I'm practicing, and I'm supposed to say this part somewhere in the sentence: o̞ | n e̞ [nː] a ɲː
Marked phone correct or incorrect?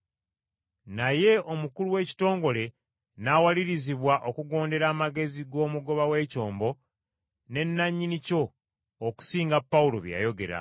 correct